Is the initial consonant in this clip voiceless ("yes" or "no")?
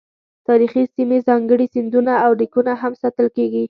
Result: yes